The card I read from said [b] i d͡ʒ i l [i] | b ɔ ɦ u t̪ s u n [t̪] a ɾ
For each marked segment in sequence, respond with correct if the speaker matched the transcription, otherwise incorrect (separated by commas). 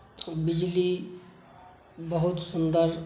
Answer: correct, correct, incorrect